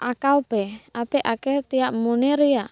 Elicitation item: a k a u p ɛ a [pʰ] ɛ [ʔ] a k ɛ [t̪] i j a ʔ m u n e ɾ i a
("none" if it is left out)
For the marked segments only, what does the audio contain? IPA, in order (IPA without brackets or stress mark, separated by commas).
p, ʔ, t̪